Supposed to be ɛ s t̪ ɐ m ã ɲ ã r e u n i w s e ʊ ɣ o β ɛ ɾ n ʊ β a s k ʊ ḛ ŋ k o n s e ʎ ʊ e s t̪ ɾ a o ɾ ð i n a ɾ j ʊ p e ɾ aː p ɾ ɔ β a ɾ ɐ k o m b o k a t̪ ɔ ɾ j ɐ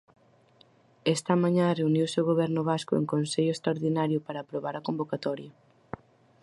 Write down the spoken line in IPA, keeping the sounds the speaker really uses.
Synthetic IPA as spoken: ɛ s t̪ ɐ m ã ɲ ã r e u n i w s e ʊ ɣ o β ɛ ɾ n ʊ β a s k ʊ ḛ ŋ k o n s e ʎ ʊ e s t̪ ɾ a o ɾ ð i n a ɾ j ʊ p a ɾ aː p ɾ o β a ɾ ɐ k o m b o k a t̪ ɔ ɾ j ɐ